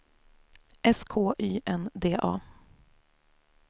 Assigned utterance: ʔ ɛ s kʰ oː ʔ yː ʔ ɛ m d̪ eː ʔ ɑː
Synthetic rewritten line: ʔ ɛ s kʰ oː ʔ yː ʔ ɛ n d̪ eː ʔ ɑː